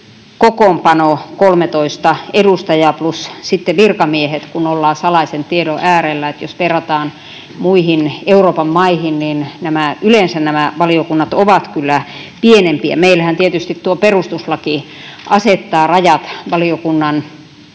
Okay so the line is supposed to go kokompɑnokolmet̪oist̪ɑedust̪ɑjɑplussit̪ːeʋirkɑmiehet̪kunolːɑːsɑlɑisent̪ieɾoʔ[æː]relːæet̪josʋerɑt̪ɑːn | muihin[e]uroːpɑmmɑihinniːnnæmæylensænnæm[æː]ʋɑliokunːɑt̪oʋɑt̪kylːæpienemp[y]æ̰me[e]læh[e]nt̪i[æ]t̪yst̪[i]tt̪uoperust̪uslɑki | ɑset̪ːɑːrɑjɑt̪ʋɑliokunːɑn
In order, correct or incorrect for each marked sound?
correct, correct, incorrect: æ, incorrect: i, incorrect: i, incorrect: æ, incorrect: e, correct

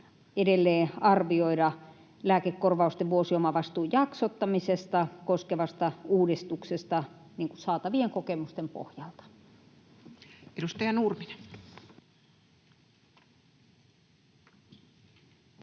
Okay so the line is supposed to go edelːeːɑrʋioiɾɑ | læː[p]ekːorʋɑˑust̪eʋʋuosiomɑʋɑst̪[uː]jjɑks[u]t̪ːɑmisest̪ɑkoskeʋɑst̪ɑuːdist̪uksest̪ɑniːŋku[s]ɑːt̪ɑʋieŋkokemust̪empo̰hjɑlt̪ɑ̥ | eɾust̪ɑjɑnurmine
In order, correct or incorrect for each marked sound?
incorrect: k, correct, incorrect: o, correct

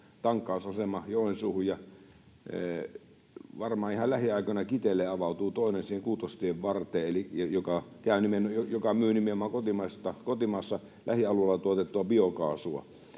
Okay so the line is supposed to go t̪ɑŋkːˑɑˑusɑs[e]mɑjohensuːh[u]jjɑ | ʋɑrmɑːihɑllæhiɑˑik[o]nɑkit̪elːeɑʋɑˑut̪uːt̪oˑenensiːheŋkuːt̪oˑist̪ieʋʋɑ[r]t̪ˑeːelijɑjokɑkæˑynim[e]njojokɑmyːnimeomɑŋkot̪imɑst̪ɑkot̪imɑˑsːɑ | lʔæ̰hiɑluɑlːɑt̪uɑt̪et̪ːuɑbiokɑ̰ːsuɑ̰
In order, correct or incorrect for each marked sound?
correct, correct, correct, correct, correct

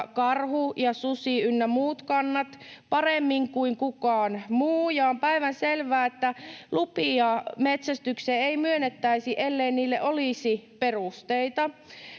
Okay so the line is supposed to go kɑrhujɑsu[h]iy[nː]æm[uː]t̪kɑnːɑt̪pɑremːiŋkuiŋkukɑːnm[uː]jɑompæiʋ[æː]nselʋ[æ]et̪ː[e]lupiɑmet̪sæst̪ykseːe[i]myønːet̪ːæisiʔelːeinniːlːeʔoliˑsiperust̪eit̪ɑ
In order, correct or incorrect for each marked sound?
incorrect: s, correct, correct, correct, incorrect: æ, incorrect: æː, incorrect: æ, correct

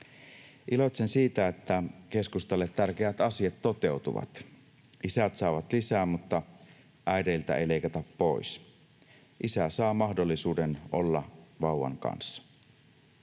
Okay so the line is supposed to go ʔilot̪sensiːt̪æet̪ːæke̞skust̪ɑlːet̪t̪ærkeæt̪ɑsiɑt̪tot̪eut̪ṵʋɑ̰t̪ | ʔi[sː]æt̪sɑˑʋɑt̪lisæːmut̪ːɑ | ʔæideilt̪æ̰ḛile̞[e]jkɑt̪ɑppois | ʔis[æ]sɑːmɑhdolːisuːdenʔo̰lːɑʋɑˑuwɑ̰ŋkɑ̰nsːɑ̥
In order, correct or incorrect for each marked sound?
incorrect: s, incorrect: i, correct

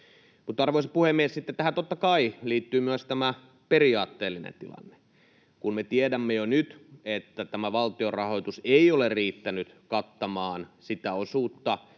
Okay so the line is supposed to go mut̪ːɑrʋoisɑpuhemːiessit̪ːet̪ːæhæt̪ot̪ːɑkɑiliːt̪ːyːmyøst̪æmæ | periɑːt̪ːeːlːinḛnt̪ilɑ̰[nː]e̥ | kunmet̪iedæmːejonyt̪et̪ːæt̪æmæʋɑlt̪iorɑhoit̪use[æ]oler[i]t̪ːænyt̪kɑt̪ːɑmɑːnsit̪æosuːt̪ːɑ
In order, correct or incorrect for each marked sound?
correct, incorrect: i, incorrect: iː

